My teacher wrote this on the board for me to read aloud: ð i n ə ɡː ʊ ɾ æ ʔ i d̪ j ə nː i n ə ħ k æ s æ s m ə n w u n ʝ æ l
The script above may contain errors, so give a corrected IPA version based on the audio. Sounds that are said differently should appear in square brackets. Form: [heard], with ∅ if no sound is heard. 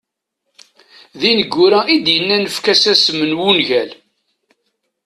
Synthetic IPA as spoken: ð i n ə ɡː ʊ ɾ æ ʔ i d̪ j ə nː [æ] n ə [f] k æ s æ s m ə n w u n ʝ æ l